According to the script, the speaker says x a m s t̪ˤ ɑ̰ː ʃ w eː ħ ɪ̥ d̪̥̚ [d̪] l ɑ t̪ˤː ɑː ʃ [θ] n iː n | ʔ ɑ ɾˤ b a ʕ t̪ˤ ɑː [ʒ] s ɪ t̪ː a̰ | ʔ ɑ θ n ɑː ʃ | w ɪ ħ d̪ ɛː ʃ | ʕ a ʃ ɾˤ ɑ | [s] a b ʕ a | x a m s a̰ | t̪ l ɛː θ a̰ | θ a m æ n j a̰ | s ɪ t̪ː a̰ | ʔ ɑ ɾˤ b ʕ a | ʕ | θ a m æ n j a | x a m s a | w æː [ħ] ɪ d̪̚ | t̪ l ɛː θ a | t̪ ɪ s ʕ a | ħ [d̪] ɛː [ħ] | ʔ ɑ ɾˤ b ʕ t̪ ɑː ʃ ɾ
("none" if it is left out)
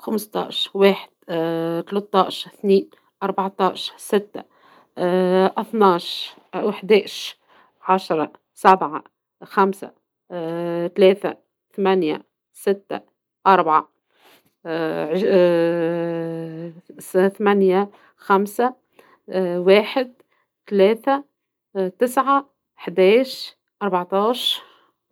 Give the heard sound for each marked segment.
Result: t̪, θ, ʃ, s, ħ, d̪, ʃ

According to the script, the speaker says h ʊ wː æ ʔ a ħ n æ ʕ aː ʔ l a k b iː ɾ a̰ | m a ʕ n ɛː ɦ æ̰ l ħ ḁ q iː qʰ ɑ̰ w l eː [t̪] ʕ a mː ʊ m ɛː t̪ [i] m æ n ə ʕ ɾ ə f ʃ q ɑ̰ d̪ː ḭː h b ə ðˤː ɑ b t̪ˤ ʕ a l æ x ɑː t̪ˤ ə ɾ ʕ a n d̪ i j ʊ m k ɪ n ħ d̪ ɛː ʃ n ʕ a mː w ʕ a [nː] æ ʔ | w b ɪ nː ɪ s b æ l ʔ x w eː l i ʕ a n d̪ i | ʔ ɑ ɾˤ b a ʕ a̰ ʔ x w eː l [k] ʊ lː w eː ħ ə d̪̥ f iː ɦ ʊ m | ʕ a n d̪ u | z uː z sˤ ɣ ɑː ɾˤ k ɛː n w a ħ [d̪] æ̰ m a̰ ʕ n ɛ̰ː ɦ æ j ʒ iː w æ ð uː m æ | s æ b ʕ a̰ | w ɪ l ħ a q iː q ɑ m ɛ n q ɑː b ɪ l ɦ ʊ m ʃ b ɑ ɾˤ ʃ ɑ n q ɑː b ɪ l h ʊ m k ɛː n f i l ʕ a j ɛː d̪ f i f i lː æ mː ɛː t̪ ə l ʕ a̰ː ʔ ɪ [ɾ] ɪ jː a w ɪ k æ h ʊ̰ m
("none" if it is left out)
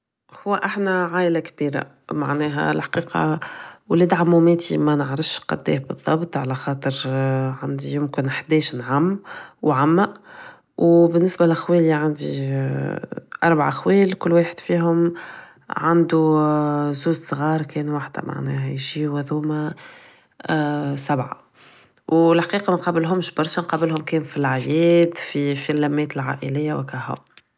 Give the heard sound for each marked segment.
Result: d̪, i, mː, k, d̪, l

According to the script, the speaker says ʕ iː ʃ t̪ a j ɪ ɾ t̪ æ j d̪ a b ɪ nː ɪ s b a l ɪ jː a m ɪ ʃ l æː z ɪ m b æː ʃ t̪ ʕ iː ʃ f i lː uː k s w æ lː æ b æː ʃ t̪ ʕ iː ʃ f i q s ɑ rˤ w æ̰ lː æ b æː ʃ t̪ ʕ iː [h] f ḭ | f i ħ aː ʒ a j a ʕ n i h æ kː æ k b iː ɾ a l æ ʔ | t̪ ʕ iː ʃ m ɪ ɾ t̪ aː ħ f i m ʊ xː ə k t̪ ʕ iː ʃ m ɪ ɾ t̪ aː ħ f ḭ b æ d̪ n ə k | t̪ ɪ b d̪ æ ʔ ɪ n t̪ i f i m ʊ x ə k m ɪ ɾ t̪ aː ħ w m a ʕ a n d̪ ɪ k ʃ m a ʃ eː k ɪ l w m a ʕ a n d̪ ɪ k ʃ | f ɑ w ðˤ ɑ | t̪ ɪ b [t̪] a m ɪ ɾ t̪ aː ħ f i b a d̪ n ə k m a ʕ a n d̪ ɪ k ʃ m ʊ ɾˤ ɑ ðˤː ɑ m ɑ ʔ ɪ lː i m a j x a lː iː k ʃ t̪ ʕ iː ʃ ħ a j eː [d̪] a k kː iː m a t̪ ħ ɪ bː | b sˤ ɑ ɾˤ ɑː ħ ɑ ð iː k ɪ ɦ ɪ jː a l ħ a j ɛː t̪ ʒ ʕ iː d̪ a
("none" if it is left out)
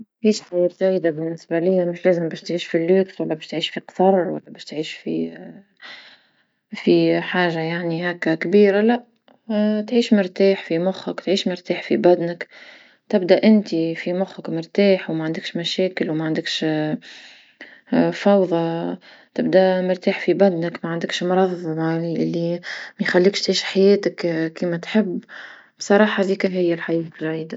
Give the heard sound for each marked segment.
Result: ʃ, d̪, t̪

